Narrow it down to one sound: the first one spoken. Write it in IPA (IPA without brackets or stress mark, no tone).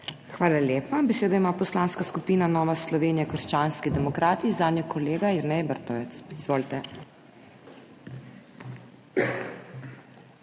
x